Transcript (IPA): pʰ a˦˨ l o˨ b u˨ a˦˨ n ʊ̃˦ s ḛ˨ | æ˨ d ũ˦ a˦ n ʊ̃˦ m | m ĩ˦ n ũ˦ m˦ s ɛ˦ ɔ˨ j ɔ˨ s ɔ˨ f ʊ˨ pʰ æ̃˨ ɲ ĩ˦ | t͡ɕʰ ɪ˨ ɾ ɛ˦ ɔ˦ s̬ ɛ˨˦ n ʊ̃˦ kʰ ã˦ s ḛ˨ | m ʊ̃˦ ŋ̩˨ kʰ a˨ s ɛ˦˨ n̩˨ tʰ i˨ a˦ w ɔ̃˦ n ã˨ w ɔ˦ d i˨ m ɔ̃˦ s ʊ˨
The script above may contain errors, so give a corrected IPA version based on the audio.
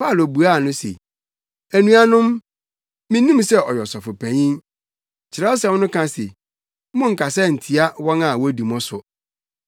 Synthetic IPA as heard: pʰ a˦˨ l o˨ b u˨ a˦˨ n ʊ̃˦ s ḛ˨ | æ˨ n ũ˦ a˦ n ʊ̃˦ m | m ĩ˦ n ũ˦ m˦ s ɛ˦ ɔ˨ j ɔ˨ s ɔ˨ f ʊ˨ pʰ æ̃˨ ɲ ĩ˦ | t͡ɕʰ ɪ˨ ɾ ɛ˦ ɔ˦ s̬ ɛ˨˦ n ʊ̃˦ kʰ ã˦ s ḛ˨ | m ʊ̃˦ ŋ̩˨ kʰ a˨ s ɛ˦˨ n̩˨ tʰ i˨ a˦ w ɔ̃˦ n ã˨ w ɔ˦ d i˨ m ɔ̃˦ s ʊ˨